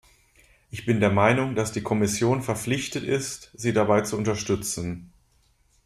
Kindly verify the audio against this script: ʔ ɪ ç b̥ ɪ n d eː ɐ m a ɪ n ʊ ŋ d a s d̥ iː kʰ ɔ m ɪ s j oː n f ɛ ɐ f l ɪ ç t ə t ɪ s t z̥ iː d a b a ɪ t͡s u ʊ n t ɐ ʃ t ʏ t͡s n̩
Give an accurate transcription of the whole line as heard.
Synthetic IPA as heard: ʔ ɪ ç b̥ ɪ n d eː ɐ m a ɪ n ʊ ŋ d a s d̥ iː kʰ ɔ m ɪ s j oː n f ɛ ɐ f l ɪ ç t ə t ɪ s t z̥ iː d a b a ɪ t͡s u ʊ n t ɐ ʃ t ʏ t͡s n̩